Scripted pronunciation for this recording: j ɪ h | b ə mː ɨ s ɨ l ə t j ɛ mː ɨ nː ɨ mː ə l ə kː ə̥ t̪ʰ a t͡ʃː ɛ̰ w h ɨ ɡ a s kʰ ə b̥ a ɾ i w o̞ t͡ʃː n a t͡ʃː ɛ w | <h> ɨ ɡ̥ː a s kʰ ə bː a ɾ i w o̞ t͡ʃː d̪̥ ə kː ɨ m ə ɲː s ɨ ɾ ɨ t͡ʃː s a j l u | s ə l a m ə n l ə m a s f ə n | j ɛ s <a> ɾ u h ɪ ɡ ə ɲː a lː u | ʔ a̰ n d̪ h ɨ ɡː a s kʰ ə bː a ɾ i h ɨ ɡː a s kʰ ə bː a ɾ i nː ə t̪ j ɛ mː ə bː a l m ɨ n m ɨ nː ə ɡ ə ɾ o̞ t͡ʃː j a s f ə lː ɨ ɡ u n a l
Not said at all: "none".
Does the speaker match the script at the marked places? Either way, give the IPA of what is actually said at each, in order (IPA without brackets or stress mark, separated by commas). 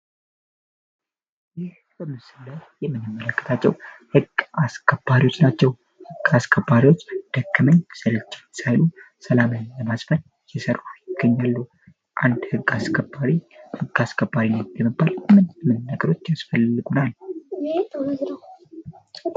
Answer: h, ə